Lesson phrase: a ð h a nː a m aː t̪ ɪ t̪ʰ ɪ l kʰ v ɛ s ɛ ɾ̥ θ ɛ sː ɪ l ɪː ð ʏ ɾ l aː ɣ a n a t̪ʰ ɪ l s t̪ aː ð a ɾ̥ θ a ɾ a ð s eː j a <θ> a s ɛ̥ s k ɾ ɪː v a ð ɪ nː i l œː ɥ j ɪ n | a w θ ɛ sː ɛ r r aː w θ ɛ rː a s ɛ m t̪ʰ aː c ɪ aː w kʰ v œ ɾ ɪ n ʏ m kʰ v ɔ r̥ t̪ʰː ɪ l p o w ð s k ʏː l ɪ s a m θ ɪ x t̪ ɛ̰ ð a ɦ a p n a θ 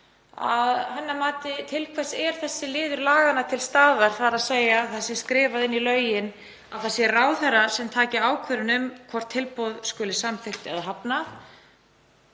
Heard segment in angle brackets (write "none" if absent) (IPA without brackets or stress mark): θ